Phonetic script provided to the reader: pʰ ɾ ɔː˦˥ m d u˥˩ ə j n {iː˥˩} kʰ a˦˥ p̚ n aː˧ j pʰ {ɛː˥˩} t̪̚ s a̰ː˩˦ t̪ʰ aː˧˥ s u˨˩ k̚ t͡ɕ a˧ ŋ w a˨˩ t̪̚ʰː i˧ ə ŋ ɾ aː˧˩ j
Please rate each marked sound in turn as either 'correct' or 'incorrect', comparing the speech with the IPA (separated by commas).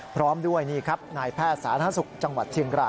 correct, correct